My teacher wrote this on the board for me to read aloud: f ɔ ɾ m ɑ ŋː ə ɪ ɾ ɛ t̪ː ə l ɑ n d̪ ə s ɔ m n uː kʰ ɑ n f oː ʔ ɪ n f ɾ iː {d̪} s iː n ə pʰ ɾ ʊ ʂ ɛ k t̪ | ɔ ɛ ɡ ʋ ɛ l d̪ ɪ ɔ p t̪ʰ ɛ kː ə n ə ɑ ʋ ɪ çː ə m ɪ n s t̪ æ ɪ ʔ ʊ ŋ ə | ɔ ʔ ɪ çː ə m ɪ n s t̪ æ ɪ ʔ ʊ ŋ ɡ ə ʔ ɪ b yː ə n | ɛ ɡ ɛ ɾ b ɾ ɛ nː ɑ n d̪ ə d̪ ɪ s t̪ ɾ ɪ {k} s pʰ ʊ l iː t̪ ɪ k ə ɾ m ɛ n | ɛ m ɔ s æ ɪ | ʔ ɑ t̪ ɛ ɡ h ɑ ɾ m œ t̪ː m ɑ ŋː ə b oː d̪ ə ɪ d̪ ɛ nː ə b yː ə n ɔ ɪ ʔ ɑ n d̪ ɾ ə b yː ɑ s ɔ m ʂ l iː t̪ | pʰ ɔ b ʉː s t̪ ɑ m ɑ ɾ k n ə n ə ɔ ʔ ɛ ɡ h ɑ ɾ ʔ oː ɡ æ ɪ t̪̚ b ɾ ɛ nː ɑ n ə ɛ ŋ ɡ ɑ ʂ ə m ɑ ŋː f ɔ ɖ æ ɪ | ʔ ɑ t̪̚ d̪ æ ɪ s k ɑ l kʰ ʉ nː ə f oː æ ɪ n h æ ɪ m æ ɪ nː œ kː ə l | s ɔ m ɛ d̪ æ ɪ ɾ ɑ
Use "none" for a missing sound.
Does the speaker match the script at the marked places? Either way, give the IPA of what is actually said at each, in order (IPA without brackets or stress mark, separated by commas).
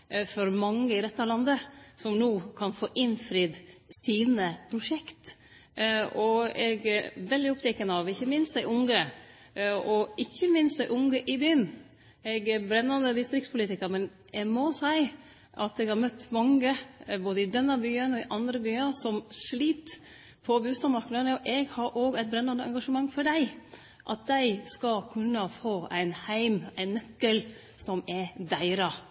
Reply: d̪, k